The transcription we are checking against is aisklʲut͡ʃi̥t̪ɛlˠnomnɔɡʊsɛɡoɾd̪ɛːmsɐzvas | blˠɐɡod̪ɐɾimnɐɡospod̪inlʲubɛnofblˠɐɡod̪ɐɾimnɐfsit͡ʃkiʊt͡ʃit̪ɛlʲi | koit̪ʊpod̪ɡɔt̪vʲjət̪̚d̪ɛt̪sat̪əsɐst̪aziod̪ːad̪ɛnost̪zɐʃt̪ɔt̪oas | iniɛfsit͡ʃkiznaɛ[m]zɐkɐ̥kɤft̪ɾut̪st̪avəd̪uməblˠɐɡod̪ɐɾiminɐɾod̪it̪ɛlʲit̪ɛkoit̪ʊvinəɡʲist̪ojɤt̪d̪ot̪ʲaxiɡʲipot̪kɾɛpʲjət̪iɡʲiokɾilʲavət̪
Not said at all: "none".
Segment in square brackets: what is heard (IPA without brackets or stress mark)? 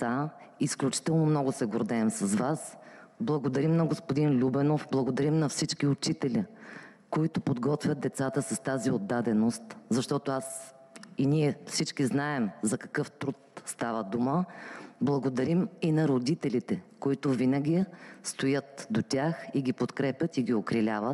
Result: m